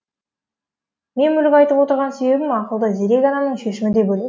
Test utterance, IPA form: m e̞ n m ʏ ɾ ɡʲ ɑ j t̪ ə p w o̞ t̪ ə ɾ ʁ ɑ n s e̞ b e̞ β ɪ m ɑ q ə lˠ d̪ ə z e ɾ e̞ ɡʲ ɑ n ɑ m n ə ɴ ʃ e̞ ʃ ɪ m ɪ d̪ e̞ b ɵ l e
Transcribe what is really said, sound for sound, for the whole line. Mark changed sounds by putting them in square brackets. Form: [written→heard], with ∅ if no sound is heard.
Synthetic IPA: m e̞ n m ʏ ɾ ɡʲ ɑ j t̪ ə p w o̞ t̪ ə ɾ ʁ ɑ n s e̞ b e̞ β ɪ m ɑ q ə lˠ d̪ ə z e ɾ e̞ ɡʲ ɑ n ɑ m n ə ɴ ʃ e̞ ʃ ɪ m ɪ d̪ e̞ b ɵ l e